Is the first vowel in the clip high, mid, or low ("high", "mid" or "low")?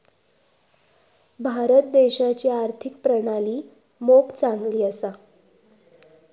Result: low